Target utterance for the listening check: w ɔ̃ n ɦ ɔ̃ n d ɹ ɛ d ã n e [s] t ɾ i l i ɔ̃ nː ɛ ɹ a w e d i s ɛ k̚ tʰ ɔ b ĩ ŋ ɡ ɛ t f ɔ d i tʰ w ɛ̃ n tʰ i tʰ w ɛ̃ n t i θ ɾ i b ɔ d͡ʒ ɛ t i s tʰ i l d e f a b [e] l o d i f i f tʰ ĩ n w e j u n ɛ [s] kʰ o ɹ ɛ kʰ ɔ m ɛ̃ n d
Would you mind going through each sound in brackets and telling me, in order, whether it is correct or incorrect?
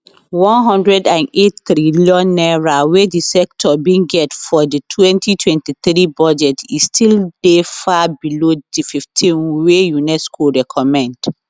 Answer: incorrect, incorrect, correct

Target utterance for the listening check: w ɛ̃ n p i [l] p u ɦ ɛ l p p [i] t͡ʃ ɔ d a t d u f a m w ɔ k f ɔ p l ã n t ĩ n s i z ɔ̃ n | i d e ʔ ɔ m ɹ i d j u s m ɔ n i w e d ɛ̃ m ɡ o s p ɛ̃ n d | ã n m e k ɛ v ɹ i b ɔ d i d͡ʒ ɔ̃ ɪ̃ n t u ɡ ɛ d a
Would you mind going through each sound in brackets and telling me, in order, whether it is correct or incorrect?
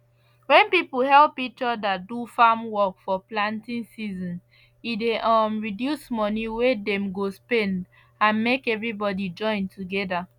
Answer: incorrect, correct

